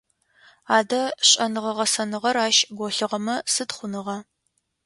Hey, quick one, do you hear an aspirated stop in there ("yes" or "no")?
no